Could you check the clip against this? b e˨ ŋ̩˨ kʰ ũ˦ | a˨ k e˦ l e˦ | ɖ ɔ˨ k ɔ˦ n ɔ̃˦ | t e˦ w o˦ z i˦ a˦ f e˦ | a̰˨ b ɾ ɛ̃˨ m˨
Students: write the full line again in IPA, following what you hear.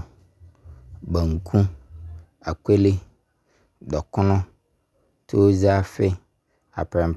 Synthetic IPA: b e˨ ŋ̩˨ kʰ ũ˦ | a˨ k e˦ l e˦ | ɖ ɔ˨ k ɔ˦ n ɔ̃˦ | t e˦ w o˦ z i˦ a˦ f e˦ | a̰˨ p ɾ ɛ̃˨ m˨